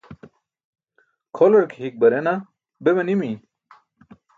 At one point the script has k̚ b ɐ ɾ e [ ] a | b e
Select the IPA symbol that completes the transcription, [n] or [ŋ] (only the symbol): n